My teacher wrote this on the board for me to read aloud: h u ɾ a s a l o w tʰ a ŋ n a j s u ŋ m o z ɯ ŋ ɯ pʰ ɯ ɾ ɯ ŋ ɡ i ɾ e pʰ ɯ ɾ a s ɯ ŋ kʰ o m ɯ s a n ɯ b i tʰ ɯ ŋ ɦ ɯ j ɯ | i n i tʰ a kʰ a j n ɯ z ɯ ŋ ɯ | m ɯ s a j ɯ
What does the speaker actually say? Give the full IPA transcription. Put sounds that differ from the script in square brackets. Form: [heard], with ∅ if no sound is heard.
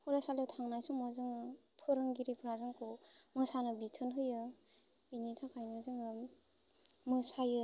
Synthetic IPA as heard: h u ɾ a s a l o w tʰ a ŋ n a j s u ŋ m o z ɯ ŋ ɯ pʰ ɯ ɾ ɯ ŋ ɡ i ɾ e pʰ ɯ ɾ a [z] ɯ ŋ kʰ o m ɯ s a n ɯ b i tʰ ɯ [n] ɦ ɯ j ɯ | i n i tʰ a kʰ a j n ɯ z ɯ ŋ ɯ | m ɯ s a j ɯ